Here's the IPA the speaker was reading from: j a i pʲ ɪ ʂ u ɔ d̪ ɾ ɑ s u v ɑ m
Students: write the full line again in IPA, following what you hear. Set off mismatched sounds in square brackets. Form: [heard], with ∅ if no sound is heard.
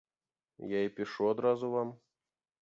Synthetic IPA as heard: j a i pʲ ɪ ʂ u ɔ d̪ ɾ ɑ [z] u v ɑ m